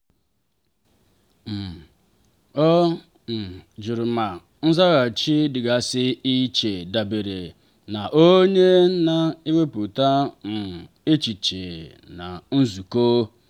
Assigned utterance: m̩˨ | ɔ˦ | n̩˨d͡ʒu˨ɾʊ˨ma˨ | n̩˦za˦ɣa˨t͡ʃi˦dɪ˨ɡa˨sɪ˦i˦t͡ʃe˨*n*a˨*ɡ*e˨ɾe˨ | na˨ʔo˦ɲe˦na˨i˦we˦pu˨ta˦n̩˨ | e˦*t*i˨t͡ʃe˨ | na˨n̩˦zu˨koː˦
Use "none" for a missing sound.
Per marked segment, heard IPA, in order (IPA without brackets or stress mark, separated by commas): d, b, t͡ʃ